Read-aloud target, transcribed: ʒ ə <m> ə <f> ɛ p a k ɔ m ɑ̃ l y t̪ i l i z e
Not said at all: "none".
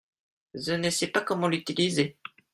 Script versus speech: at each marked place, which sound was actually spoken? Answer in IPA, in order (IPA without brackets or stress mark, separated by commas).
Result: n, s